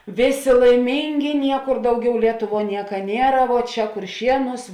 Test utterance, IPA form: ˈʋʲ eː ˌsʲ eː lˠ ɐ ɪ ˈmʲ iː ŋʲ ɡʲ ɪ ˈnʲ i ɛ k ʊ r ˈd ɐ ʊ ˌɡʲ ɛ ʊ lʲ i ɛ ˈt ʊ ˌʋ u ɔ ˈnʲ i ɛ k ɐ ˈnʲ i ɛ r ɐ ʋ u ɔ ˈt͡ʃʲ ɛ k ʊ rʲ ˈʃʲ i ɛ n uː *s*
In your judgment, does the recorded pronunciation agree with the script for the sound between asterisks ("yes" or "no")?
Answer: yes